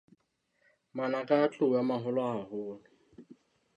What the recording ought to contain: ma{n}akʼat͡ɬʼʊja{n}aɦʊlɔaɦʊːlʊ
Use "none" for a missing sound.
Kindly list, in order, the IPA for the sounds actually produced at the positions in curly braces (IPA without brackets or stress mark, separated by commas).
n, m